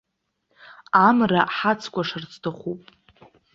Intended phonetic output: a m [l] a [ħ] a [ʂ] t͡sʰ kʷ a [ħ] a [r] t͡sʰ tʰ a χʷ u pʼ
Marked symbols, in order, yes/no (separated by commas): no, yes, no, no, yes